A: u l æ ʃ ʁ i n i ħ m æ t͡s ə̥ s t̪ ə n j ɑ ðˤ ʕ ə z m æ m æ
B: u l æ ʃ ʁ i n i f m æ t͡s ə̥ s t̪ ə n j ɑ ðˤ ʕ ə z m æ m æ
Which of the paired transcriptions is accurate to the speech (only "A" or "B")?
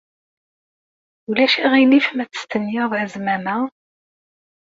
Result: B